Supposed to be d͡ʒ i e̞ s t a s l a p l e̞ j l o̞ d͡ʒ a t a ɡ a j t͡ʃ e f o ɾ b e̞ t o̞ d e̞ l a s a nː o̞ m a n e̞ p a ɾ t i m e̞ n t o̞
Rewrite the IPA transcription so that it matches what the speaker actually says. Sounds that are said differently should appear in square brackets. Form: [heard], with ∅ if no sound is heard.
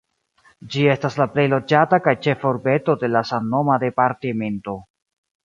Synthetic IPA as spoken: d͡ʒ i e̞ s t a s l a p l e̞ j l o̞ d͡ʒ a t a [k] a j t͡ʃ e f o ɾ b e̞ t o̞ d e̞ l a s a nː o̞ m a [d] e̞ p a ɾ t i m e̞ n t o̞